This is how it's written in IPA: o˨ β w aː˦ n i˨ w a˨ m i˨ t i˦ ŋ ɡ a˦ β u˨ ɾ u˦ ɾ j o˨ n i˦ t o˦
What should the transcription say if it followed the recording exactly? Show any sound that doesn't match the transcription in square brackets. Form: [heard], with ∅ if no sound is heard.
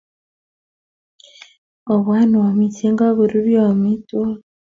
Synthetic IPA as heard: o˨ β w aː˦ n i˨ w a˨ m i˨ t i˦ ŋ ɡ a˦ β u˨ ɾ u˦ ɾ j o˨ [m] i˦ t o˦

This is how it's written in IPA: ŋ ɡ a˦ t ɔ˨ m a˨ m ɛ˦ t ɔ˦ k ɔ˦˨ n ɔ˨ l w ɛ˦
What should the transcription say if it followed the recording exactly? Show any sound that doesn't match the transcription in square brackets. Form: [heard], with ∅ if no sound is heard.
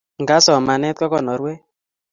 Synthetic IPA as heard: ŋ ɡ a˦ [s] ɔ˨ m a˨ [n] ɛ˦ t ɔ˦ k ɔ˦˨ n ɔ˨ [ɾ] w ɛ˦

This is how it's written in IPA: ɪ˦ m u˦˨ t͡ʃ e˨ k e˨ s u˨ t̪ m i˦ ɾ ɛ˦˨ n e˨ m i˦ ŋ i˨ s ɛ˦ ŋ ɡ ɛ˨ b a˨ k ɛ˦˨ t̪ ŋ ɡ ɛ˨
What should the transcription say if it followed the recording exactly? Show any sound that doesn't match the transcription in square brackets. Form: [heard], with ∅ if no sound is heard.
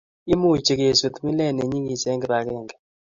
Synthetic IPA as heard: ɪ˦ m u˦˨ t͡ʃ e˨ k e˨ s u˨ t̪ m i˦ [l] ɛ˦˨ n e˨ [ɲ] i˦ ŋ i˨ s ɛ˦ ŋ ɡ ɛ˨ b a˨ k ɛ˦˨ [∅] ŋ ɡ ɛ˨

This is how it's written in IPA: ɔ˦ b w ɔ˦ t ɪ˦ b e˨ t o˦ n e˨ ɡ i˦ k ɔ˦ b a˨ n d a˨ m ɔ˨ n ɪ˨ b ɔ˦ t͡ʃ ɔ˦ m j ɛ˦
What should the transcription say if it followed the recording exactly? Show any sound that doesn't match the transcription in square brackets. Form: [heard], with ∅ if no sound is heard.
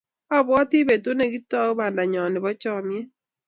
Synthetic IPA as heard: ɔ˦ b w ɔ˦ t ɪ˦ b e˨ t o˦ n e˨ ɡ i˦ [t] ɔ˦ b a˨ n d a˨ [ɲ] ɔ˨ n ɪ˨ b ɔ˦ t͡ʃ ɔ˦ m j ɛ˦

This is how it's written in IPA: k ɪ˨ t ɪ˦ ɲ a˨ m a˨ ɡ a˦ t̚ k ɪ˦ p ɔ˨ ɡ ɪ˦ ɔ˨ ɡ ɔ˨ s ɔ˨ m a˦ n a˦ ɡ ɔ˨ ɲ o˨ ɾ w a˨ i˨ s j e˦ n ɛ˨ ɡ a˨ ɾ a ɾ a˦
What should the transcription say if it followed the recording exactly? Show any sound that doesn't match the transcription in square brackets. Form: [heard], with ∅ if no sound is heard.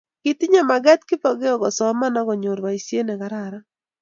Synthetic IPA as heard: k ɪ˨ t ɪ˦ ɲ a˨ m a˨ ɡ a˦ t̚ k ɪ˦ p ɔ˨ ɡ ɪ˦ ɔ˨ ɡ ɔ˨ s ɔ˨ m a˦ n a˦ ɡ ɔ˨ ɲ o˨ ɾ w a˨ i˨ s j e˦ n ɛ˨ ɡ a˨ ɾ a ɾ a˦

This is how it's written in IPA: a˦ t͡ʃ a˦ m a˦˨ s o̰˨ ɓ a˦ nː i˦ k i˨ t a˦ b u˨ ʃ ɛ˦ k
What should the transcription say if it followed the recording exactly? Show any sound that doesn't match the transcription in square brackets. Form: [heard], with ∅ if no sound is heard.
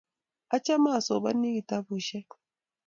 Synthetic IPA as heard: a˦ t͡ʃ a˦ m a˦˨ s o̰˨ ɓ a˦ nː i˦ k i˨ t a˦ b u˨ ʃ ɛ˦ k

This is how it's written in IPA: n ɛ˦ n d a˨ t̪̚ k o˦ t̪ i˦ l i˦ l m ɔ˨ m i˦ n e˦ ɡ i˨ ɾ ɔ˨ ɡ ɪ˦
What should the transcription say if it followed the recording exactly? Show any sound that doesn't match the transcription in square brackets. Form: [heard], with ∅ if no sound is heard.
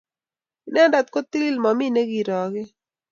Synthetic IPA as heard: n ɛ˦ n d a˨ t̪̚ k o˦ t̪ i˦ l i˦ l m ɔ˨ m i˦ n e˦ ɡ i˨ ɾ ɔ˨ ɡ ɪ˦

